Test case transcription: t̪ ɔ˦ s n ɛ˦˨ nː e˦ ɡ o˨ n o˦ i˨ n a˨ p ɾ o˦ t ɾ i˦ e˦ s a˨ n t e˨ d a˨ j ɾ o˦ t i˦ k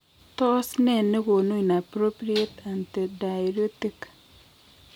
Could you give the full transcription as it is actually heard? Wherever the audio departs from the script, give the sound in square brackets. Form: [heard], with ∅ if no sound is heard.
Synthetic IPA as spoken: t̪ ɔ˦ s n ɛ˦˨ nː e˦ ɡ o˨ n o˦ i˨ n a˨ p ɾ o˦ [p] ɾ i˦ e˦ [t] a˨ n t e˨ d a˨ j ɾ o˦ t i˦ k